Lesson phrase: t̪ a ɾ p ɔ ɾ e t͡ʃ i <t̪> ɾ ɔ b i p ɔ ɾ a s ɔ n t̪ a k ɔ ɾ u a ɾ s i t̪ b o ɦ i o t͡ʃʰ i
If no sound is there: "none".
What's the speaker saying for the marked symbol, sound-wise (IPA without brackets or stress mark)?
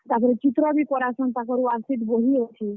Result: t̪